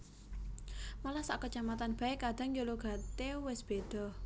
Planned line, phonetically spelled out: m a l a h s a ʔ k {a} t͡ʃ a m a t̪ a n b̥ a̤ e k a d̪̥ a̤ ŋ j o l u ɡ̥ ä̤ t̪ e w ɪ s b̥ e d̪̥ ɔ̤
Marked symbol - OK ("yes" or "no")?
no